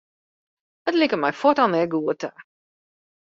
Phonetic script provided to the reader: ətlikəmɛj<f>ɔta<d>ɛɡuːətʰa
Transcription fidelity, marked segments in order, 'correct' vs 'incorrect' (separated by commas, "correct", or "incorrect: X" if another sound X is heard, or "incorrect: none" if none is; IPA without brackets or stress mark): correct, incorrect: n